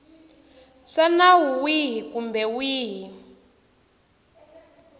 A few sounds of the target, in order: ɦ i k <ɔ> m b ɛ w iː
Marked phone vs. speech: incorrect: u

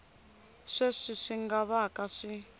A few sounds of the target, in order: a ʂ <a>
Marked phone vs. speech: incorrect: i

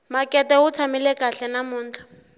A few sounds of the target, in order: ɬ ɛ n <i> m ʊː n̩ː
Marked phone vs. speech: incorrect: a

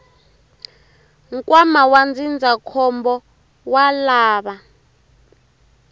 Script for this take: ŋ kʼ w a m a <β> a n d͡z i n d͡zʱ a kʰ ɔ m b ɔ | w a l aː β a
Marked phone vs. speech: incorrect: w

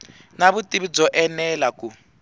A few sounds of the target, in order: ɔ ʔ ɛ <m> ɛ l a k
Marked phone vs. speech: incorrect: n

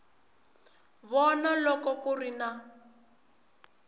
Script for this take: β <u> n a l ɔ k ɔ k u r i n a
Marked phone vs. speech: incorrect: ɔ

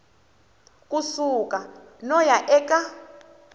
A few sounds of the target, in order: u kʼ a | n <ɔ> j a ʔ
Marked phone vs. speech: correct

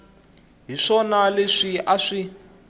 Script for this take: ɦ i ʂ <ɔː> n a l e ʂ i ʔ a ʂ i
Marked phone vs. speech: incorrect: ɔ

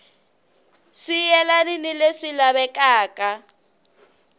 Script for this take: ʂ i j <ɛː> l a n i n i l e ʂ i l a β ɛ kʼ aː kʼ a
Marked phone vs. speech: incorrect: ɛ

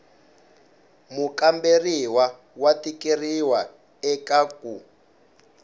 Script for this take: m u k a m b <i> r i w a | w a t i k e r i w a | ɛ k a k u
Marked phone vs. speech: incorrect: e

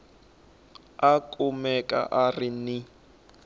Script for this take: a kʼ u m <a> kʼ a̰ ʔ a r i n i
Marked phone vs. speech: incorrect: ɛ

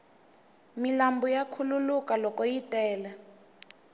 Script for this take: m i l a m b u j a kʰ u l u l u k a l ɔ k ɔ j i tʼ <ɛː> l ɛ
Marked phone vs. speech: correct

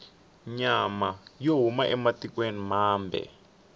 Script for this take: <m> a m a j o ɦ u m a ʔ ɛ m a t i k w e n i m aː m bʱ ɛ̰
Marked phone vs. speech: incorrect: ɲ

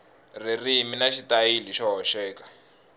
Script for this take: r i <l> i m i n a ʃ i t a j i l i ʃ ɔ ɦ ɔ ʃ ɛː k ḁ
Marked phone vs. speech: incorrect: r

